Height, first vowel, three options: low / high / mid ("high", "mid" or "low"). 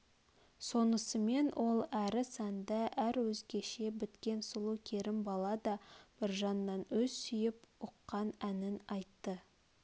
mid